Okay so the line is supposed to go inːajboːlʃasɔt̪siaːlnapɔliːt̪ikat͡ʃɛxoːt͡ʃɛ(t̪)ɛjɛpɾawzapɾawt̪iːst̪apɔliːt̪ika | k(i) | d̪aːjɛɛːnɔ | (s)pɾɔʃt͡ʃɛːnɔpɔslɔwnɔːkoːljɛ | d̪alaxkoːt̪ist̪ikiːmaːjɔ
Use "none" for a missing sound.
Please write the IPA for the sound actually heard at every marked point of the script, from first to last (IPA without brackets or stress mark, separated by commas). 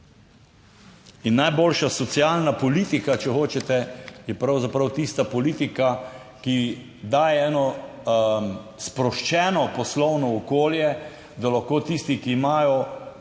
t̪, i, s